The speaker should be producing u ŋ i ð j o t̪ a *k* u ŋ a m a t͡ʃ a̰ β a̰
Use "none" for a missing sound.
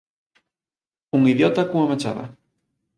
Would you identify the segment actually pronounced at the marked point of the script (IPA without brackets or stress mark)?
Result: k